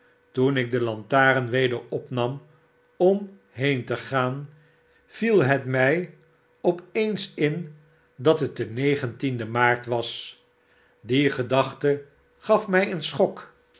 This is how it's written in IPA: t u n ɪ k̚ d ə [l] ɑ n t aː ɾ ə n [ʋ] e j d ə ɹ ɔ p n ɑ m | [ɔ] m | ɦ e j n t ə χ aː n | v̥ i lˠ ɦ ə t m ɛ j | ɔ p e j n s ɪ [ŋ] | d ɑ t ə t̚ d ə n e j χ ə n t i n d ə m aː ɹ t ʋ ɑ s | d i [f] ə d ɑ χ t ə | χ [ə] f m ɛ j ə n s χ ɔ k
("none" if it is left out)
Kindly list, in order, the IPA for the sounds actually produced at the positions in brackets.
l, ʋ, ɔ, n, χ, ɑ

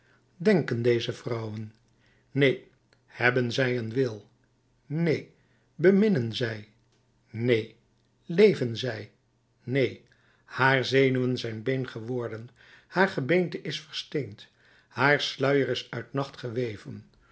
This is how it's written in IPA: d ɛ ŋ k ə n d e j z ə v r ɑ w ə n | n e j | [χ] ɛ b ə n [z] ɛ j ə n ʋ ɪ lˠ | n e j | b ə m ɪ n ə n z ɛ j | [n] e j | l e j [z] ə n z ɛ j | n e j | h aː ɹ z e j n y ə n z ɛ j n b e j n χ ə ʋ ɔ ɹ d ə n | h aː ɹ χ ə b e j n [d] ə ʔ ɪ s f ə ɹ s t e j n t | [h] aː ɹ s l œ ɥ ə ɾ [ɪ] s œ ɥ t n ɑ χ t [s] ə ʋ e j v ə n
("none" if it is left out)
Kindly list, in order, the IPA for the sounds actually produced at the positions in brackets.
h, z, n, v, t, h, ɪ, χ

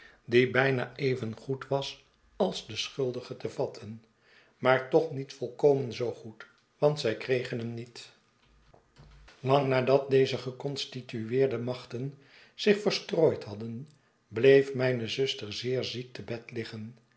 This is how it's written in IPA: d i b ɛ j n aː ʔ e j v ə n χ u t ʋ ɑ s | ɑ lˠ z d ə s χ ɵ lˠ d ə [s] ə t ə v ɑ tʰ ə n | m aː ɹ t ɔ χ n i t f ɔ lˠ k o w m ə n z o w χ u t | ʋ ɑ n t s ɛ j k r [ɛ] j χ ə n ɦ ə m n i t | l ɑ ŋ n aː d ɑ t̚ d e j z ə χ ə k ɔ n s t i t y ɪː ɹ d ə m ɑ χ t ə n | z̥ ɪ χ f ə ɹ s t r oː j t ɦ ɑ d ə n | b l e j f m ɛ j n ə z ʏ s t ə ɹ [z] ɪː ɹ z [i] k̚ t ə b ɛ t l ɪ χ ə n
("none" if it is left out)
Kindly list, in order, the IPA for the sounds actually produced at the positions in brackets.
χ, e, z, i

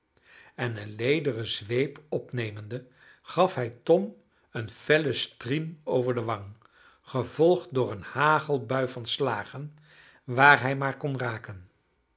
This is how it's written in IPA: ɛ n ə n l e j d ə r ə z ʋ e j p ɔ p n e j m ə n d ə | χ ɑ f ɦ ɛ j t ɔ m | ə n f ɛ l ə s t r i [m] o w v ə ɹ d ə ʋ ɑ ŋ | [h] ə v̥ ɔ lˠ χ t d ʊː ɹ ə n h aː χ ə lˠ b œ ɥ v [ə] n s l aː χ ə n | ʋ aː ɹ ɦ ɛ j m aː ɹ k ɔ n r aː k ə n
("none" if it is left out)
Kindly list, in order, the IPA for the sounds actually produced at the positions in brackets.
m, χ, ɑ

